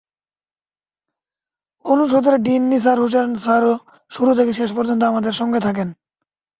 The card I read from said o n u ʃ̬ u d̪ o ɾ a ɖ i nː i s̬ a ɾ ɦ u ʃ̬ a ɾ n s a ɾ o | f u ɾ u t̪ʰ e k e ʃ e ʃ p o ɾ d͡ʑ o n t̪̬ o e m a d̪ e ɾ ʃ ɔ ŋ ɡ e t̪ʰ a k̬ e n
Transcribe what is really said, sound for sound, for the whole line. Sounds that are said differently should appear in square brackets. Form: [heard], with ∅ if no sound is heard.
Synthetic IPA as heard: o n u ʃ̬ [o] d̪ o ɾ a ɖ i nː i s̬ a ɾ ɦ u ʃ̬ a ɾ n s a ɾ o | [ʃ] u ɾ u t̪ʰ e k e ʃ e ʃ p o ɾ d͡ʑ o n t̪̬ o [a] m a d̪ e ɾ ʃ ɔ ŋ ɡ e t̪ʰ a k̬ e n

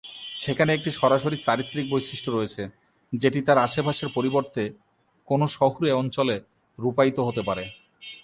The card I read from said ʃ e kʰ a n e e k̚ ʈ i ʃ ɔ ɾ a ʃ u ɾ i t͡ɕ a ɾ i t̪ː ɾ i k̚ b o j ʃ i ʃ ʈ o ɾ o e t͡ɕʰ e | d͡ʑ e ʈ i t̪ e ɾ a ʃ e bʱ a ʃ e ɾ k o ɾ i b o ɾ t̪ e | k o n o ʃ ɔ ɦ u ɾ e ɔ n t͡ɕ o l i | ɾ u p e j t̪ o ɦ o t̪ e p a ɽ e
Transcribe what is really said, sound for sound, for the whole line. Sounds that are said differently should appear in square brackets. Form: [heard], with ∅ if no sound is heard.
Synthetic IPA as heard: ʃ e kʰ a n e e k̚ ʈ i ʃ ɔ ɾ a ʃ [o] ɾ i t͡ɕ a ɾ i t̪ː ɾ i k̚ b o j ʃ i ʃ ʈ o ɾ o e t͡ɕʰ e | d͡ʑ e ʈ i t̪ [a] ɾ a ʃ e bʱ a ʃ e ɾ [p] o ɾ i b o ɾ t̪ e | k o n o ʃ ɔ ɦ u ɾ e ɔ n t͡ɕ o l [e] | ɾ u p [a] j t̪ o ɦ o t̪ e p a [ɾ] e

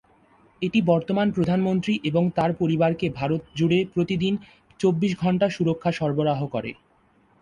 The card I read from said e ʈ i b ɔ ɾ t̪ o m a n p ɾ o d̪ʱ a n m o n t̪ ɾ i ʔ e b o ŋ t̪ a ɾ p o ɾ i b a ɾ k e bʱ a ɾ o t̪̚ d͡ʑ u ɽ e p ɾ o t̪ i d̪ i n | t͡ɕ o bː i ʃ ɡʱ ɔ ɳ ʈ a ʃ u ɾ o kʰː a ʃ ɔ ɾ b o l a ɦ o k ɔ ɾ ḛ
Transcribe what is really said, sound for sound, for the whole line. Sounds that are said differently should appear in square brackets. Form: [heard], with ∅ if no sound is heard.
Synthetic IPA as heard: e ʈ i b ɔ ɾ t̪ o m a n p ɾ o d̪ʱ a n m o n t̪ ɾ i ʔ e b o ŋ t̪ a ɾ p o ɾ i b a ɾ k e bʱ a ɾ o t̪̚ d͡ʑ u ɽ e p ɾ o t̪ i d̪ i n | t͡ɕ o bː i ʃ ɡʱ ɔ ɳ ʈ a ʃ u ɾ o kʰː a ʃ ɔ ɾ b o [ɾ] a ɦ o k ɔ ɾ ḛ

